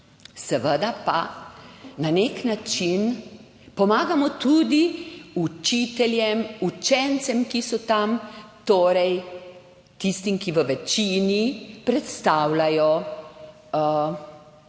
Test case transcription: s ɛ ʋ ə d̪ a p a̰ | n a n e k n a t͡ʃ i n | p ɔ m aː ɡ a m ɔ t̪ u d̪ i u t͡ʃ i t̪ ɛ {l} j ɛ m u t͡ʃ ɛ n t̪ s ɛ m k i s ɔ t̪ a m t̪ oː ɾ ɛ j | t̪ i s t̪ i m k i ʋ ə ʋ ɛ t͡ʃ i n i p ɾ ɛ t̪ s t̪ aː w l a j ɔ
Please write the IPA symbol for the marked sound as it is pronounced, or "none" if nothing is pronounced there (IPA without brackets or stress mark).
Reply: l